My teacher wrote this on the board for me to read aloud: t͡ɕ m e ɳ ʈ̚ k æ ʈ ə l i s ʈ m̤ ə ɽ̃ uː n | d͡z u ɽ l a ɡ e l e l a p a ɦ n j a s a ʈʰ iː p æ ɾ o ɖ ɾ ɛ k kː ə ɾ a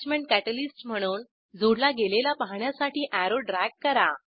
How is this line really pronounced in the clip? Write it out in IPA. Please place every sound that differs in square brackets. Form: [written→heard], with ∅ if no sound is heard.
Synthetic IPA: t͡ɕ m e ɳ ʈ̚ k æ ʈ ə l i s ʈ m̤ ə ɽ̃ uː n | d͡z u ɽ l a ɡ e l e l a p a ɦ [n→ɳ] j a s a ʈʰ iː [p→ʔ] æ ɾ o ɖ ɾ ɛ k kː ə ɾ a